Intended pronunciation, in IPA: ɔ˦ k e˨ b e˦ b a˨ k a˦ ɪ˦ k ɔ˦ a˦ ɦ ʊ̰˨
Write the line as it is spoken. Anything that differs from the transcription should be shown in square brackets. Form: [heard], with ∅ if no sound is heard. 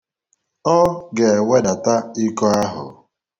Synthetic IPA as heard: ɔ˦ [ɡ] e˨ [w] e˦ [d] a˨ [t] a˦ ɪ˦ k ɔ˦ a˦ ɦ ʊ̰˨